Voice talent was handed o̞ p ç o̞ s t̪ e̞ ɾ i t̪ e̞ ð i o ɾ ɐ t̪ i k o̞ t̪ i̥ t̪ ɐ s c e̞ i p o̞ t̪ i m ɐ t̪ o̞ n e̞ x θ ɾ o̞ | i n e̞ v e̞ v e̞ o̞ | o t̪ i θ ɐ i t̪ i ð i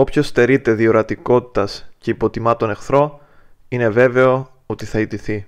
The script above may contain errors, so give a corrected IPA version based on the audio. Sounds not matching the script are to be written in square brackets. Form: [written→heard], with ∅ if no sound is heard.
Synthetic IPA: o̞ p ç o̞ s t̪ e̞ ɾ i t̪ e̞ ð i o ɾ ɐ t̪ i k o̞ t̪ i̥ t̪ ɐ s c e̞ i p o̞ t̪ i m ɐ t̪ o̞ n e̞ x θ ɾ o̞ | i n e̞ v e̞ v e̞ o̞ | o t̪ i θ ɐ i t̪ i [ð→θ] i